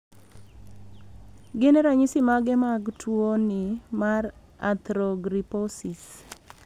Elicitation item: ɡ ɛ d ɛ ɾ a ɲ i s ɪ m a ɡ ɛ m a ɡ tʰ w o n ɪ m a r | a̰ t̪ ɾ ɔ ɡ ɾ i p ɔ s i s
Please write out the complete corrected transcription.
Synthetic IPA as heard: ɡ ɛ n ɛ ɾ a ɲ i s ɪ m a ɡ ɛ m a ɡ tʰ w o n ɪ m a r | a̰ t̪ ɾ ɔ ɡ ɾ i p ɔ s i s